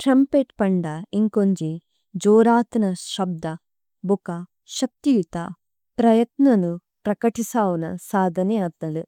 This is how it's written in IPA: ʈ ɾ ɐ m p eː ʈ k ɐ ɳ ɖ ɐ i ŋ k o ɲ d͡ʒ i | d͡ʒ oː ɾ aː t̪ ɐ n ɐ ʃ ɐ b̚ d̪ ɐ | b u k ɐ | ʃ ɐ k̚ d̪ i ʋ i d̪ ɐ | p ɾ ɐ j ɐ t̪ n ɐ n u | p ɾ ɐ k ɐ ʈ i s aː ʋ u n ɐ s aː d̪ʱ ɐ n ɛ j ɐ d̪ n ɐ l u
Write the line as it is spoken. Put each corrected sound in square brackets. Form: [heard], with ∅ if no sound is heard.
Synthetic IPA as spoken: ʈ ɾ ɐ m p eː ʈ [p] ɐ ɳ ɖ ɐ i ŋ k o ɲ d͡ʒ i | d͡ʒ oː ɾ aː t̪ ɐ n ɐ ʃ ɐ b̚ d̪ ɐ | b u k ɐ | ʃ ɐ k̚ [t̪] i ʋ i [t̪] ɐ | p ɾ ɐ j ɐ t̪ n ɐ n u | p ɾ ɐ k ɐ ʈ i s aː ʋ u n ɐ s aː d̪ʱ ɐ n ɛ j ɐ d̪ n ɐ l u